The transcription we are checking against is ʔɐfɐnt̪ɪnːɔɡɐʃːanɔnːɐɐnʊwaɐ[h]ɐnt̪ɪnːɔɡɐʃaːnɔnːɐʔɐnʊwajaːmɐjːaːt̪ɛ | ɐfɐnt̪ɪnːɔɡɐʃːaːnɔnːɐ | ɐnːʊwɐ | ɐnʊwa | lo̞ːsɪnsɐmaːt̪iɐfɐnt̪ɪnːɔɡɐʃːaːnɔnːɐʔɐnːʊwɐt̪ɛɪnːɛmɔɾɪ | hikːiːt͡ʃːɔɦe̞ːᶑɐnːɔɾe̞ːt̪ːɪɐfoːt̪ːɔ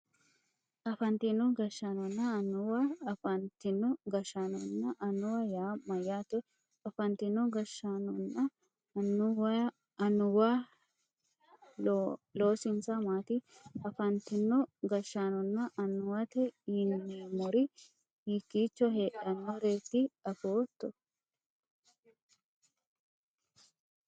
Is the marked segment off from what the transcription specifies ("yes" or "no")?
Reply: yes